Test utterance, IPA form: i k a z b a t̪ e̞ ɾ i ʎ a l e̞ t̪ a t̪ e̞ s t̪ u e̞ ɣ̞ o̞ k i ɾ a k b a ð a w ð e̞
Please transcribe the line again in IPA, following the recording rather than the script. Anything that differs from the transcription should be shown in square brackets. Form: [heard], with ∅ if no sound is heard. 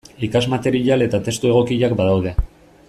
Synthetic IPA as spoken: i k a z [m] a t̪ e̞ ɾ i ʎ a l e̞ t̪ a t̪ e̞ s t̪ u e̞ ɣ̞ o̞ k i [ʎ] a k b a ð a w ð e̞